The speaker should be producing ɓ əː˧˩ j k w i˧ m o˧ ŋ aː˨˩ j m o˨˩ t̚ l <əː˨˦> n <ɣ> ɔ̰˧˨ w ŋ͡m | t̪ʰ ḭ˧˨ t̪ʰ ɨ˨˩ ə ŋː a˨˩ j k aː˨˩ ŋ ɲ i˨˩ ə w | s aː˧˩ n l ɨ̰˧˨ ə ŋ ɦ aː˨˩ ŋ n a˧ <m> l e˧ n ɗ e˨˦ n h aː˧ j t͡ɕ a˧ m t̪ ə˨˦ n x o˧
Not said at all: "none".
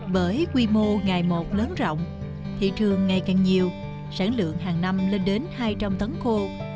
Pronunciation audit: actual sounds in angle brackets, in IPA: əː˨˦, z, m

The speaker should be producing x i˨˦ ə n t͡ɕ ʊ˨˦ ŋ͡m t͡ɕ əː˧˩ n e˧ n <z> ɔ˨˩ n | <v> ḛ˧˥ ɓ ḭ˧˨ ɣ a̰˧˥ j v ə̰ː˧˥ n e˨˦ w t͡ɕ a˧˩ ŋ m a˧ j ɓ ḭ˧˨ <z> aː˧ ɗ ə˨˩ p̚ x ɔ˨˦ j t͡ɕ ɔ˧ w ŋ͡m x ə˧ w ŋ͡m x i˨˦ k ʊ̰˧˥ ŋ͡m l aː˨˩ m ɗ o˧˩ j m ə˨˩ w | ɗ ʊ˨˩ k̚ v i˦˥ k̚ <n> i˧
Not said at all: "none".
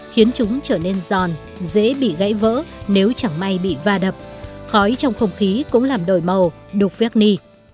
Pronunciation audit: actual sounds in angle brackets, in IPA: z, z, v, n

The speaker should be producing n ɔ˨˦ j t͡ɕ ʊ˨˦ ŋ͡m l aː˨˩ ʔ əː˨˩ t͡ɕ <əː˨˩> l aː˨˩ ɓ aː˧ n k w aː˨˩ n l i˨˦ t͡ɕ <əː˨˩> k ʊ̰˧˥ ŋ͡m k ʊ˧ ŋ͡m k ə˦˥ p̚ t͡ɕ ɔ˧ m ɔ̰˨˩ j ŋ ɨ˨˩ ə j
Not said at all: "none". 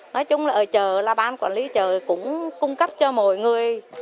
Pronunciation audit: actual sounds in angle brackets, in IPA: əː˨˩, əː˨˩

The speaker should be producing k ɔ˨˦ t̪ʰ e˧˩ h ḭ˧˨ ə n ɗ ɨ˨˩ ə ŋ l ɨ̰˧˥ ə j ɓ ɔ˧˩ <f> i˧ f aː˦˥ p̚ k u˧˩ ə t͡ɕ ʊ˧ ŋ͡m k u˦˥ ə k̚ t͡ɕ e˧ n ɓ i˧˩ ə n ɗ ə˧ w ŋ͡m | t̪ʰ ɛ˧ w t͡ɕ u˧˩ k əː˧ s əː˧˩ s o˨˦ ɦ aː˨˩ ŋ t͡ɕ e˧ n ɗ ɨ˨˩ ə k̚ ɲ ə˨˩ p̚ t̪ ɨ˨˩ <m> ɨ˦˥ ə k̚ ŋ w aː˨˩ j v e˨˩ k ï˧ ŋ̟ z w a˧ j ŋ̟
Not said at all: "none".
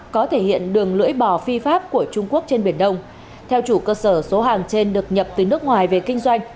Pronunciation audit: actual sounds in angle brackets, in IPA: f, n

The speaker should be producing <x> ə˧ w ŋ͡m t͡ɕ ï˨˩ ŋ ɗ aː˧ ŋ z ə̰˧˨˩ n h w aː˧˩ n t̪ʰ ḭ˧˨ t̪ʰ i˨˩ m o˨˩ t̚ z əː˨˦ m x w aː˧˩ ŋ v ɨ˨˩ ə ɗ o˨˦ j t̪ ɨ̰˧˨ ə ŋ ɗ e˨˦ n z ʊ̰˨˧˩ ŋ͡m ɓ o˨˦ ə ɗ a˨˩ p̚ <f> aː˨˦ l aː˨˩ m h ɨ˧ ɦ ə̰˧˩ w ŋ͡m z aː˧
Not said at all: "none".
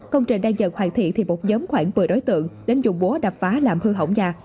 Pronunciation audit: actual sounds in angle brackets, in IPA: k, f

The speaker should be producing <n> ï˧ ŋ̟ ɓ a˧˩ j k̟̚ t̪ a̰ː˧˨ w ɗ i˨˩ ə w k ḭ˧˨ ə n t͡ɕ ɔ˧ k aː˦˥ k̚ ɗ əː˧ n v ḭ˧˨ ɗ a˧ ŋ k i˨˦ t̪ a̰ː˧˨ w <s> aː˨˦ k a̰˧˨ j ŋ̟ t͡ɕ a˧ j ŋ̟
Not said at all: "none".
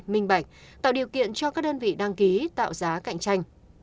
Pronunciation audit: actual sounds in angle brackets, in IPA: m, z

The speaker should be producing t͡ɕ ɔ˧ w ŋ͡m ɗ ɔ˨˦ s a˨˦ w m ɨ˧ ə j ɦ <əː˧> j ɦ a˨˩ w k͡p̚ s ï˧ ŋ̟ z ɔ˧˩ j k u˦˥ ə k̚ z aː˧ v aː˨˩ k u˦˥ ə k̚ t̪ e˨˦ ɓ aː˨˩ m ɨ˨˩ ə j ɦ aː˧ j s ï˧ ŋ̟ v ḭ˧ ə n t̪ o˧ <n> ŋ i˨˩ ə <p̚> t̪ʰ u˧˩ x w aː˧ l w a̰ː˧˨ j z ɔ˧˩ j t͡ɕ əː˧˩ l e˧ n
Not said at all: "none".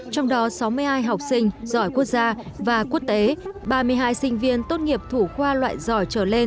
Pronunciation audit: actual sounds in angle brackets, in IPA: aː˧, n, p̚

